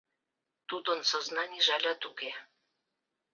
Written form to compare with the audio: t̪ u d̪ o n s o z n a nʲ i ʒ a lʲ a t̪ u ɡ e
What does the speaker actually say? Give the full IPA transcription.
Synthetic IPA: t̪ u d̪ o n s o z n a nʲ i ʒ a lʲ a t̪ u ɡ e